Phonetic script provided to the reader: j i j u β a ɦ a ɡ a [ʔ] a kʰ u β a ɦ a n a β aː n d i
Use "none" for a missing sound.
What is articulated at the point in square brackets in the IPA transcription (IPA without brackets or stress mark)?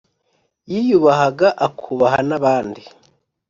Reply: ʔ